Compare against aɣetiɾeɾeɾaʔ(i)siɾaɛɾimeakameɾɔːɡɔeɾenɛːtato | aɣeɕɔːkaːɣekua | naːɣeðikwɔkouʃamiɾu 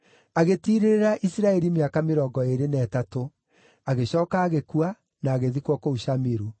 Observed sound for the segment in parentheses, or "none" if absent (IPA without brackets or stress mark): i